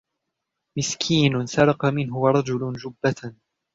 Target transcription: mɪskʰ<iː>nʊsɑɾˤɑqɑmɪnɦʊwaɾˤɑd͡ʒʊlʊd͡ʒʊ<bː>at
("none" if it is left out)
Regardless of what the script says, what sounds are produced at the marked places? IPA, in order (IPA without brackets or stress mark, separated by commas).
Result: iː, bː